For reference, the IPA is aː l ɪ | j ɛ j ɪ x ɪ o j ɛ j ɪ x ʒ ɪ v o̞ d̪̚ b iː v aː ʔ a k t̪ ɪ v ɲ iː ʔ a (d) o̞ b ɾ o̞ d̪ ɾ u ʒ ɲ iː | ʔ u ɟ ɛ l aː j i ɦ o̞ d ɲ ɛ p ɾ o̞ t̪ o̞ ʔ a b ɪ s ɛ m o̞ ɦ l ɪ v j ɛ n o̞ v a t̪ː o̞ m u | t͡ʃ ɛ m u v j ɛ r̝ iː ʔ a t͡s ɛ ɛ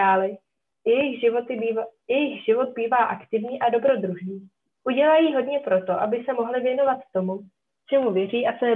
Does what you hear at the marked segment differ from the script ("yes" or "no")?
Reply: no